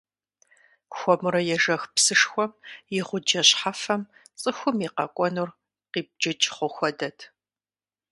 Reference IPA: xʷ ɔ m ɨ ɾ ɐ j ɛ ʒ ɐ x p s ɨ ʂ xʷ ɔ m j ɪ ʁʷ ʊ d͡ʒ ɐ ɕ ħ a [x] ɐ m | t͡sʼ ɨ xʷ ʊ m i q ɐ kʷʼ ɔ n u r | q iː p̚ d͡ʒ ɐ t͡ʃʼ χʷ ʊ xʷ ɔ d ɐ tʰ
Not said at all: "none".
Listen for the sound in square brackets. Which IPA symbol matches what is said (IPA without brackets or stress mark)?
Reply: f